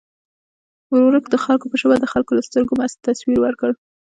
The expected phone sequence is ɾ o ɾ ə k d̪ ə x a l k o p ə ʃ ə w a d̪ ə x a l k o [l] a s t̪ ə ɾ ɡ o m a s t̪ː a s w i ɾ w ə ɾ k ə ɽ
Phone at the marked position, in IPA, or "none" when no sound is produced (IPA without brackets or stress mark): l